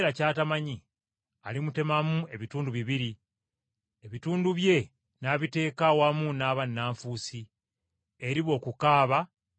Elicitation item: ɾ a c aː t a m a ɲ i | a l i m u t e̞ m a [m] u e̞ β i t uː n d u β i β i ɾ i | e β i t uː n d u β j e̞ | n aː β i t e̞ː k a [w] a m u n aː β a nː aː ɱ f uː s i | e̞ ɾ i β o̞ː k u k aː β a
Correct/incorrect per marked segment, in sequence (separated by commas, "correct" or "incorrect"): correct, correct